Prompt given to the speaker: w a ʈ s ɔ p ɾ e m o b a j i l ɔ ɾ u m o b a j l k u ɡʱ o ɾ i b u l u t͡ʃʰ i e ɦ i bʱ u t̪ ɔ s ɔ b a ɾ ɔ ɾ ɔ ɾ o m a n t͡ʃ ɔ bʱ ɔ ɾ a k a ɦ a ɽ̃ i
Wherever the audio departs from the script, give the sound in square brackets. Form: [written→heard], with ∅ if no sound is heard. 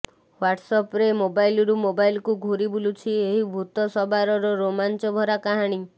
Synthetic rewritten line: w a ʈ s ɔ p ɾ e m o b a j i l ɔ ɾ u m o b a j l k u ɡʱ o ɾ i b u l u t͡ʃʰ i e ɦ i bʱ u t̪ ɔ s ɔ b a ɾ ɔ ɾ ɔ ɾ o m a n t͡ʃ ɔ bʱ ɔ ɾ a k a ɦ a ɽ̃ i